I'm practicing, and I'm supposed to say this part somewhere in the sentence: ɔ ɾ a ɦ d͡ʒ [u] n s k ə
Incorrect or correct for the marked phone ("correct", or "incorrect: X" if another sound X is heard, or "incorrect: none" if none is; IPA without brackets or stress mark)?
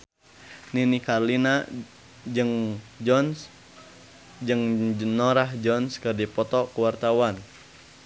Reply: incorrect: ɔ